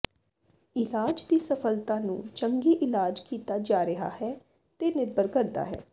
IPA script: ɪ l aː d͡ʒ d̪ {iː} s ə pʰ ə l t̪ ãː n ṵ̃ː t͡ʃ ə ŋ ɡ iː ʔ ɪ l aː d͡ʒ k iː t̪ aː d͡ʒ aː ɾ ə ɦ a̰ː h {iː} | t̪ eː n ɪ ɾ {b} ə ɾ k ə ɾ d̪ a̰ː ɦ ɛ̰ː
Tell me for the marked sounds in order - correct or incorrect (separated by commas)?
correct, incorrect, correct